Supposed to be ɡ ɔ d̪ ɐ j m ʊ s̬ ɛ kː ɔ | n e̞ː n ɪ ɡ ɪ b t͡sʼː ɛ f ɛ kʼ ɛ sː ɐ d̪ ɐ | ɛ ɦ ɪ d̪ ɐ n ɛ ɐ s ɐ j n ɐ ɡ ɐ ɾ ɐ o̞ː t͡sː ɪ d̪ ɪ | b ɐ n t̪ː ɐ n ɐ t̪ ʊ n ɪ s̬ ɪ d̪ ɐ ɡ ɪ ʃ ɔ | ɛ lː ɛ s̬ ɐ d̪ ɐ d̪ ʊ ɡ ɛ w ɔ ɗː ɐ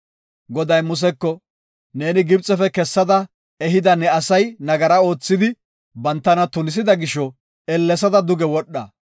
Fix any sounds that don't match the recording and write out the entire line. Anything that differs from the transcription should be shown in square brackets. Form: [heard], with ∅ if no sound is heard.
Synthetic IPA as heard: ɡ ɔ d̪ ɐ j m ʊ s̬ ɛ kː ɔ | n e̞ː n ɪ ɡ ɪ b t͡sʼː ɛ f ɛ [k] ɛ sː ɐ d̪ ɐ | ɛ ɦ ɪ d̪ ɐ n ɛ ɐ s ɐ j n ɐ ɡ ɐ ɾ ɐ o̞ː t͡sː ɪ d̪ ɪ | b ɐ n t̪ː ɐ n ɐ t̪ ʊ n ɪ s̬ ɪ d̪ ɐ ɡ ɪ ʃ ɔ | ɛ lː ɛ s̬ ɐ d̪ ɐ d̪ ʊ ɡ ɛ w ɔ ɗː ɐ